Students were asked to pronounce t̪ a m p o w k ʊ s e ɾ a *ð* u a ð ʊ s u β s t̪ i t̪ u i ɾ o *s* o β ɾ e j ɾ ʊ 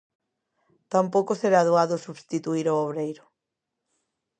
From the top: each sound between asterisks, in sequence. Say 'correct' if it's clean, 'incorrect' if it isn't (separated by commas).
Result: correct, incorrect